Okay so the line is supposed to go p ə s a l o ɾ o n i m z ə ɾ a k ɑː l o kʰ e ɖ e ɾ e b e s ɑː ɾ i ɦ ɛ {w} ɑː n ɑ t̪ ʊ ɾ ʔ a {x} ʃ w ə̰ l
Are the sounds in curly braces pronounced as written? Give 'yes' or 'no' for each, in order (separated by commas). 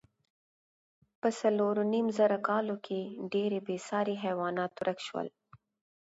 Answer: yes, no